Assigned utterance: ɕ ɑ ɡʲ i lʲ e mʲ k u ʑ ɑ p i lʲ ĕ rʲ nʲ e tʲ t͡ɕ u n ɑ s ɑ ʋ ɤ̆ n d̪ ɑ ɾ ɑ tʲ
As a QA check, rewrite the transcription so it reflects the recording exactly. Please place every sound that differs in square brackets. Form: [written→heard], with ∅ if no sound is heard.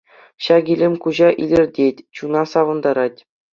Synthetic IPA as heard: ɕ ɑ ɡʲ i lʲ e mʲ k u ʑ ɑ [p→ʔ] i lʲ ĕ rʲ [nʲ→dʲ] e tʲ t͡ɕ u n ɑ s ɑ ʋ ɤ̆ n d̪ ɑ ɾ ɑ tʲ